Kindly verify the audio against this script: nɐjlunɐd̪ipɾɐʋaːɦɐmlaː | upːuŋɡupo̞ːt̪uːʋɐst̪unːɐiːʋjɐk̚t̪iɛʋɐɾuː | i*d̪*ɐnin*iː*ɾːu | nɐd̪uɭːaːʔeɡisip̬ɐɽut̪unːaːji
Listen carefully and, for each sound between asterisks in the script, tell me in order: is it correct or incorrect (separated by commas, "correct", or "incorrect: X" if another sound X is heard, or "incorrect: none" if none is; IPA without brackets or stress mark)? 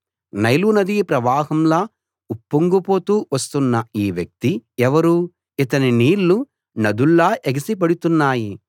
incorrect: t̪, correct